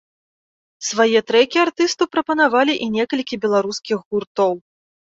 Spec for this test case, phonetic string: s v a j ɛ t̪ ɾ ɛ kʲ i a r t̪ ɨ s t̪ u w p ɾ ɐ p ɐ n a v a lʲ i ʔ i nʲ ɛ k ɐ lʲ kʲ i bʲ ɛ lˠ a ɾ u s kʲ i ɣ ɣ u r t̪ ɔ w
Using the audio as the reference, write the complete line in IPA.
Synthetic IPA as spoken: s v a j ɛ t̪ ɾ ɛ kʲ i a r t̪ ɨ s t̪ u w p ɾ ɐ p ɐ n a v a lʲ i ʔ i nʲ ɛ k ɐ lʲ kʲ i bʲ ɛ lˠ a ɾ u s kʲ i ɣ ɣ u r t̪ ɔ w